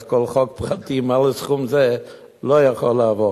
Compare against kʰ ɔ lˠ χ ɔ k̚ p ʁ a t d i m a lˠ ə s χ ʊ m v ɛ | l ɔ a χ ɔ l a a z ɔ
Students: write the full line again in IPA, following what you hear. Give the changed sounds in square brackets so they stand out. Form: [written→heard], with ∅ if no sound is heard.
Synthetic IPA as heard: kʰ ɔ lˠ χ ɔ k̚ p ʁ a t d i m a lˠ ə s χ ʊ m [v→z] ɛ | l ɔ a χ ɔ l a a [z→v] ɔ